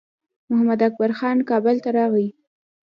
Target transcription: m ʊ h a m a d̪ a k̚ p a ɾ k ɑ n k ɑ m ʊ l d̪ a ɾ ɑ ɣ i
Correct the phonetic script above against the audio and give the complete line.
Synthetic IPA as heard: m ʊ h a m a d̪ a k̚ b a ɾ x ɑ n k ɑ b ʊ l t̪ a ɾ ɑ ɣ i